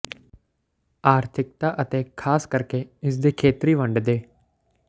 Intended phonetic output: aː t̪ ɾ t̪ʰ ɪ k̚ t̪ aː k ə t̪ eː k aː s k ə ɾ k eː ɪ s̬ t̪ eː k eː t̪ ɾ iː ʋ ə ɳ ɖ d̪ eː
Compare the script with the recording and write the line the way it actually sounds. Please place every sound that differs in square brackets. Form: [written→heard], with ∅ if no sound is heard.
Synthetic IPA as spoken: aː [t̪→∅] ɾ t̪ʰ ɪ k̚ t̪ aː [k→ʔ] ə t̪ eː [k→kʰ] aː s k ə ɾ k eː ɪ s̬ [t̪→d̪] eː [k→kʰ] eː t̪ ɾ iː ʋ ə ɳ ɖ d̪ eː